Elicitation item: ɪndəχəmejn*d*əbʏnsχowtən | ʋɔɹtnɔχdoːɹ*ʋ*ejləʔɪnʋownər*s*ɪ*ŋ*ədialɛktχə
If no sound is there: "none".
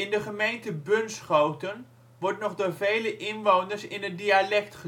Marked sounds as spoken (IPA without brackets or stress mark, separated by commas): t, v, s, n